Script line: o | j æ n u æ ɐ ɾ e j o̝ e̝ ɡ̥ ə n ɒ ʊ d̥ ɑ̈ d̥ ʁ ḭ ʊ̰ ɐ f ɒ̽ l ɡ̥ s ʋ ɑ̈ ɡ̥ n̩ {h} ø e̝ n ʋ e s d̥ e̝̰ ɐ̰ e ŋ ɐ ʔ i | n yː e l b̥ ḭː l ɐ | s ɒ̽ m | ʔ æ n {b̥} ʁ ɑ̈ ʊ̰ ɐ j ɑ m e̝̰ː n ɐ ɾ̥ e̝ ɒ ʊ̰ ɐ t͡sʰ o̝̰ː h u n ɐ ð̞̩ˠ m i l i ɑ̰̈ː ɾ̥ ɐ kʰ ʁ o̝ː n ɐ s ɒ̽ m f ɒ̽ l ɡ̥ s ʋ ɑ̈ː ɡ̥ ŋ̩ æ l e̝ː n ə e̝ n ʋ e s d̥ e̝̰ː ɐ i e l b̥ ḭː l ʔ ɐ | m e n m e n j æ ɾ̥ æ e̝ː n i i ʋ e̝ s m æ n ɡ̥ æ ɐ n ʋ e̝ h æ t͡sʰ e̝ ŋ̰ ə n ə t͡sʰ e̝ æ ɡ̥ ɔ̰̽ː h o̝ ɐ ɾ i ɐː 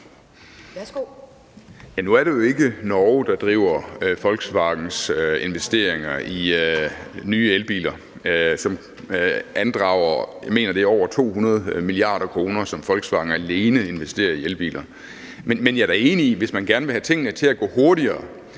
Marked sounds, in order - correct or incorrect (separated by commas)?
incorrect, incorrect